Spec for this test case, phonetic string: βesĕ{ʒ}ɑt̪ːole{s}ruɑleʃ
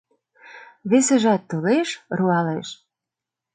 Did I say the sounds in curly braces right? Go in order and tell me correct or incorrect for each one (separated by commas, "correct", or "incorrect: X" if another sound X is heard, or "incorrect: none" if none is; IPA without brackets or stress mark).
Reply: correct, incorrect: ʃ